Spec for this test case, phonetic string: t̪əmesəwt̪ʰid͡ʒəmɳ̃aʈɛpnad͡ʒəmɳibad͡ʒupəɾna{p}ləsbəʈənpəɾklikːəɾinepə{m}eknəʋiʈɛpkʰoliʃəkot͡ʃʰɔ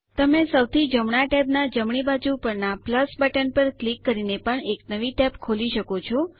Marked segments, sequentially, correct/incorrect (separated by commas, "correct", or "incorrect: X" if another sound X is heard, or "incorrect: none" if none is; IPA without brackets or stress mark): correct, incorrect: ɳ